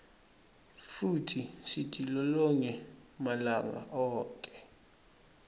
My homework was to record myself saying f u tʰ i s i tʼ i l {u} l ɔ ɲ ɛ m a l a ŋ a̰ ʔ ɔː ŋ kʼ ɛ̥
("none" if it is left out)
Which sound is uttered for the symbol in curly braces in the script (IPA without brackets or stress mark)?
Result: ɔ